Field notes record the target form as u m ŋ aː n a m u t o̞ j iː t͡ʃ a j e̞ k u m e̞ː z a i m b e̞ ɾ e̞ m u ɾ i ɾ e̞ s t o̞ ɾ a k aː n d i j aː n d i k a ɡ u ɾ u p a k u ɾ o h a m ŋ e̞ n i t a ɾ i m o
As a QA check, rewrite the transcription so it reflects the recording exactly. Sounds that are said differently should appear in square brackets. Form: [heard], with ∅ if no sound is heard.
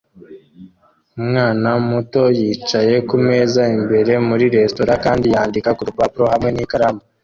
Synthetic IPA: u m ŋ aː n a m u t o̞ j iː t͡ʃ a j e̞ k u m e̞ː z a i m b e̞ ɾ e̞ m u ɾ i ɾ e̞ s t o̞ ɾ a k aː n d i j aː n d i k a [k] u ɾ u p a [p] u ɾ o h a m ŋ e̞ n i [k] a ɾ [a] m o